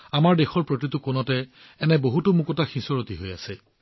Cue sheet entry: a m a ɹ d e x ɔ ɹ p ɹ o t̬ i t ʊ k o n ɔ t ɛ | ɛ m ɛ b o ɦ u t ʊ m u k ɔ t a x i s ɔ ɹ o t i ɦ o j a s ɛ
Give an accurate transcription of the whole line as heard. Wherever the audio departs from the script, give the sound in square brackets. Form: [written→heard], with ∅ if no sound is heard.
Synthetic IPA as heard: a m a ɹ d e x ɔ ɹ p ɹ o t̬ i t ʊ k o n ɔ t ɛ | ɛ [m→n] ɛ b o ɦ u t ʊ m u k ɔ t a x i s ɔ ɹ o t i ɦ o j a s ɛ